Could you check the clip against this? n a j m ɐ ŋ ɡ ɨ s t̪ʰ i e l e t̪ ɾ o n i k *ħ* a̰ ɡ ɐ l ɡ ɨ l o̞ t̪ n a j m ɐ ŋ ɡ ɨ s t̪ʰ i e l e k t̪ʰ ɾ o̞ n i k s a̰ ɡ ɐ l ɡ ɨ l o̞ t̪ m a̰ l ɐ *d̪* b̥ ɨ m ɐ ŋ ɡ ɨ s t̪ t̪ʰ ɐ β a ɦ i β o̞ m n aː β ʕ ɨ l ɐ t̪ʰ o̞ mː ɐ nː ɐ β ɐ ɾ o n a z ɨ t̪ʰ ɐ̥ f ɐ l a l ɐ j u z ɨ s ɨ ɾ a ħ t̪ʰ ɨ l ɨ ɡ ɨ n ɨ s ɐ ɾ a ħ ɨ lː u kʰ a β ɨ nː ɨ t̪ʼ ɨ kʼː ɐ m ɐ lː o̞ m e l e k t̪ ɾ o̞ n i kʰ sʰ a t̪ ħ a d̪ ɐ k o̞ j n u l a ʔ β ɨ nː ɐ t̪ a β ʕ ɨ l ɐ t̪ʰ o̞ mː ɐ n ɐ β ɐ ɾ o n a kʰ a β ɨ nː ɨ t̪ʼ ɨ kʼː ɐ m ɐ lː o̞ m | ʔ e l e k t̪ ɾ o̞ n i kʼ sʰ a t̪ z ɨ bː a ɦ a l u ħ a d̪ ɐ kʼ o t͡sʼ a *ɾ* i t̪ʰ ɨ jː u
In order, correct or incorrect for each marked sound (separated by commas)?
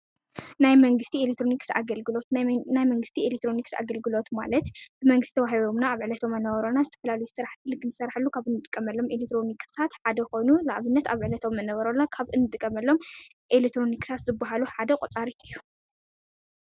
incorrect, incorrect, correct